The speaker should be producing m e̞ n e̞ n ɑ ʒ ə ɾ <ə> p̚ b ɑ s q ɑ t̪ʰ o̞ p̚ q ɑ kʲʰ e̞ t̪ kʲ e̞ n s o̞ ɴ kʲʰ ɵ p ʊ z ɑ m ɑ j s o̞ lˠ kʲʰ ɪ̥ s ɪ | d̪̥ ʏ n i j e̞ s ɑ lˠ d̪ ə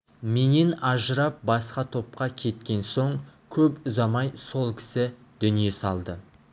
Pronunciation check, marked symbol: incorrect: ɑ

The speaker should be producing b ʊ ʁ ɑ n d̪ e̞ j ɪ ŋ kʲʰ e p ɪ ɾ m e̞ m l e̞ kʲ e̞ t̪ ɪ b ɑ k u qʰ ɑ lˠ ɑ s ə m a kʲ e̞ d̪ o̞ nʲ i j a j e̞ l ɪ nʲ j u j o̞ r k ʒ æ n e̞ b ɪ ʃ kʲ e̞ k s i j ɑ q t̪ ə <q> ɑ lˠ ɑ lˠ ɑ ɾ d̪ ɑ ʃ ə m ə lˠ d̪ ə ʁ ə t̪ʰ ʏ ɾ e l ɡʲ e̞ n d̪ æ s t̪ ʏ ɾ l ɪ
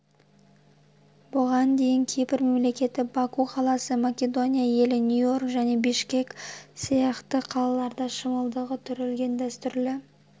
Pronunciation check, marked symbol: incorrect: qʰ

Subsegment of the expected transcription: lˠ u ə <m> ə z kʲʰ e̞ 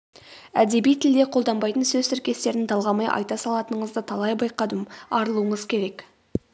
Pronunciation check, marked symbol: incorrect: ɴ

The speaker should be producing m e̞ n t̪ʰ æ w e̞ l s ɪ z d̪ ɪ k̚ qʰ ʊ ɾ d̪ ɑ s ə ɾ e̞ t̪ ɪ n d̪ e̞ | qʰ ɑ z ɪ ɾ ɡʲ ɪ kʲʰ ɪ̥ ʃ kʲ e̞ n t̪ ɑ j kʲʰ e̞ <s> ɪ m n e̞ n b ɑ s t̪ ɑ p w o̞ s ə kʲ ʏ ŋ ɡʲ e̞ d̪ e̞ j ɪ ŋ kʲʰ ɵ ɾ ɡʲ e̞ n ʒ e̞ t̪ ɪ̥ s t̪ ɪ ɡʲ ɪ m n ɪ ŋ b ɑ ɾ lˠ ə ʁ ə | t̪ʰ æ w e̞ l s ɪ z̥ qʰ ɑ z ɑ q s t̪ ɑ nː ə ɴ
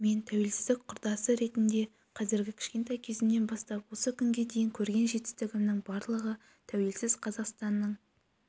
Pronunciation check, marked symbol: incorrect: z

